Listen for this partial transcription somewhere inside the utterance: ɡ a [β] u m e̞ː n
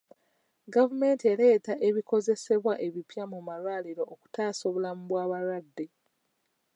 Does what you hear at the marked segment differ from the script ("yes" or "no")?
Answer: yes